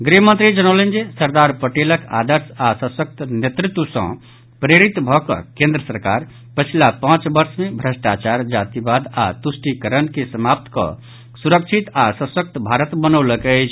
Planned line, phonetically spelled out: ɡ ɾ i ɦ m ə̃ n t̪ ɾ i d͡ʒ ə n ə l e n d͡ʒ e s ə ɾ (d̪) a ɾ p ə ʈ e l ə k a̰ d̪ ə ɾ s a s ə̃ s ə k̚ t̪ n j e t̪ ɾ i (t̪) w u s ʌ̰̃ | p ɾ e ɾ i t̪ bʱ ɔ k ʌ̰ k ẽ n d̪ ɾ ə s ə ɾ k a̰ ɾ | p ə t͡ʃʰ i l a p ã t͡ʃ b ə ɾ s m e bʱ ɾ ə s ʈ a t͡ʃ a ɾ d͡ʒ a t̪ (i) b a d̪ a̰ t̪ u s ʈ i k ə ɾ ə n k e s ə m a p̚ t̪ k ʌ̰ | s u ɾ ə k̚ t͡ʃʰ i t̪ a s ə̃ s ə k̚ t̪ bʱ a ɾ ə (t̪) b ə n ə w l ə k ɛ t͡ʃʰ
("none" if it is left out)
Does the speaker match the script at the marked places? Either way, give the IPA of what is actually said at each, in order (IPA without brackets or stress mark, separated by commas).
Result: d̪, t̪, i, t̪